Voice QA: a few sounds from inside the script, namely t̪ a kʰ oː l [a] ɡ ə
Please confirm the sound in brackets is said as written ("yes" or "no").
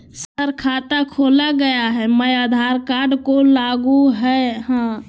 yes